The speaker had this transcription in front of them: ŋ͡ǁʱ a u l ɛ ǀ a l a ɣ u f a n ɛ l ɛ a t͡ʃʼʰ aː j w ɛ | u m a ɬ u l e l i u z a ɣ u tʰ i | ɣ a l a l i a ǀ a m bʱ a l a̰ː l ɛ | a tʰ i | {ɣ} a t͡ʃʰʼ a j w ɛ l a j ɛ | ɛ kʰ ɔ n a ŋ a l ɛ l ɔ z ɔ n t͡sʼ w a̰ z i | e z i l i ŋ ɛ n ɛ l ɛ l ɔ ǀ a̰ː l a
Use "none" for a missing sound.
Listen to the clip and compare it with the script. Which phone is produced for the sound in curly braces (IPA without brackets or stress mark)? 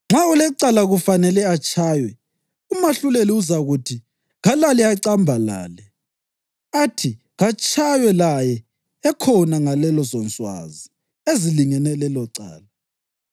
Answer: ɣ